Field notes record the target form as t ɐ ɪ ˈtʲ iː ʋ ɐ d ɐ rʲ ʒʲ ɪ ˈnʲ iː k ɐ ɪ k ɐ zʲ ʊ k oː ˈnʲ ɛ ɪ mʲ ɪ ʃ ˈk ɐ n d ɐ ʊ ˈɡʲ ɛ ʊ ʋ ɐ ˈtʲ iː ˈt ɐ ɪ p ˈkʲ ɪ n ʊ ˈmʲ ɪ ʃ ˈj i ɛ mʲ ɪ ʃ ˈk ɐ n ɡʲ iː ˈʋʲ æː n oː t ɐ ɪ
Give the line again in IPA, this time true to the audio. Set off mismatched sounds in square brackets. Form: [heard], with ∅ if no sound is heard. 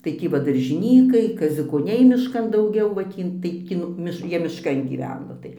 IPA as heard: t ɐ ɪ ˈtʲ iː ʋ ɐ d ɐ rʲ ʒʲ ɪ ˈnʲ iː k ɐ ɪ k ɐ zʲ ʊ k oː ˈnʲ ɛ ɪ mʲ ɪ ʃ ˈk ɐ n d ɐ ʊ ˈɡʲ ɛ ʊ ʋ ɐ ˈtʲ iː ˈt ɐ ɪ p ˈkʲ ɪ n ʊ ˈmʲ ɪ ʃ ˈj i ɛ mʲ ɪ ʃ ˈk ɐ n ɡʲ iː ˈʋʲ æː n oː t ɐ ɪ